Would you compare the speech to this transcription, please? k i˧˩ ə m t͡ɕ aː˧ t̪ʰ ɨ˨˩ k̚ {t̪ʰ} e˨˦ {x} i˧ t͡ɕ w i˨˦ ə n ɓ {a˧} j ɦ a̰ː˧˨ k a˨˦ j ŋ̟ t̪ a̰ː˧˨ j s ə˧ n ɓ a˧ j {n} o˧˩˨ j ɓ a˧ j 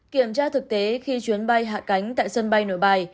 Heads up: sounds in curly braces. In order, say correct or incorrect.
incorrect: t̪, correct, correct, correct

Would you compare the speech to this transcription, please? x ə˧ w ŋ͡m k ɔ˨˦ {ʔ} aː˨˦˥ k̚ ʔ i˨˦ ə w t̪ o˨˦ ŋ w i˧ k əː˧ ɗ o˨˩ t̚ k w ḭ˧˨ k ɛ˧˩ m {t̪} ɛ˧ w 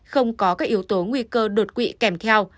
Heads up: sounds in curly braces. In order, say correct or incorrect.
incorrect: k, incorrect: t̪ʰ

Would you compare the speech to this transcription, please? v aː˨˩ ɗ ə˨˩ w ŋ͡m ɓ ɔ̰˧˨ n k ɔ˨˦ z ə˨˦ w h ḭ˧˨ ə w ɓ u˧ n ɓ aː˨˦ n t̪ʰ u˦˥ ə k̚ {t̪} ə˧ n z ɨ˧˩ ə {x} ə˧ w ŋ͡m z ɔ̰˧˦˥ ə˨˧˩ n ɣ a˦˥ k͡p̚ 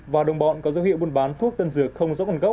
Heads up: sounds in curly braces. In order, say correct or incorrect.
correct, correct

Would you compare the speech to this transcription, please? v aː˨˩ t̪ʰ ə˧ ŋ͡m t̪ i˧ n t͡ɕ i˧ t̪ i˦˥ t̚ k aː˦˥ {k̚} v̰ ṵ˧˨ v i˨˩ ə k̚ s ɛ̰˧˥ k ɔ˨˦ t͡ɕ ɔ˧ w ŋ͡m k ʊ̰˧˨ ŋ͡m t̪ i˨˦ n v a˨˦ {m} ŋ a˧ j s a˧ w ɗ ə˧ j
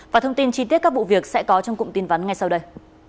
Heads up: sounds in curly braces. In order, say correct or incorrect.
correct, incorrect: n

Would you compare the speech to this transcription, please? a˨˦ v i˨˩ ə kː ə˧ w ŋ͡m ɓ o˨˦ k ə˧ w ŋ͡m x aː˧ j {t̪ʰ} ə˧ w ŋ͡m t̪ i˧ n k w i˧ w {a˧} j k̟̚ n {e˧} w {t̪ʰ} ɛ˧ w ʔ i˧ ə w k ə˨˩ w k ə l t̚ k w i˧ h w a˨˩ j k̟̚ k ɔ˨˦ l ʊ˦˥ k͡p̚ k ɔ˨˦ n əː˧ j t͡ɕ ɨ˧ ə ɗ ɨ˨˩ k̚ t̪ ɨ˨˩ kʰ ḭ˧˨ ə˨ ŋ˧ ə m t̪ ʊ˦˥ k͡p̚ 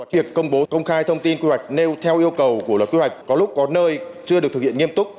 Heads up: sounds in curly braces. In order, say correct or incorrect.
correct, incorrect: a˨˩, correct, correct

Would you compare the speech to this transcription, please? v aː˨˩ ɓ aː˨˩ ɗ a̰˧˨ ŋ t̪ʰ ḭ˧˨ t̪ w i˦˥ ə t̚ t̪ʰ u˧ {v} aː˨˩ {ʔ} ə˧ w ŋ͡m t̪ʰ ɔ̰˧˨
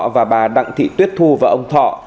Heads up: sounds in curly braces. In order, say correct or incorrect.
correct, correct

